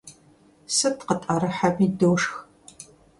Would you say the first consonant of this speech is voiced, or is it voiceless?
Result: voiceless